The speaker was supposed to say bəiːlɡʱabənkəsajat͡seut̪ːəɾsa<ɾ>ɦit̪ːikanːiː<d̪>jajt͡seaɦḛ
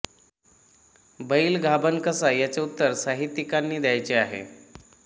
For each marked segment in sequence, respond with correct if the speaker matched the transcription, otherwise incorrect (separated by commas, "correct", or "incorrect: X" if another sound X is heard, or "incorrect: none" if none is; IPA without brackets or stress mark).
incorrect: none, correct